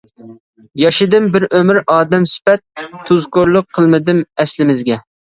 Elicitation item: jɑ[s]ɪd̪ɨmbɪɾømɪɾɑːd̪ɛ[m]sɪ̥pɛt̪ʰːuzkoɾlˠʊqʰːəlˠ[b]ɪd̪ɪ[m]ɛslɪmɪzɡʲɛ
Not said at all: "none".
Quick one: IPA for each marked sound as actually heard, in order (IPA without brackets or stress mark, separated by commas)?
ʃ, m, m, m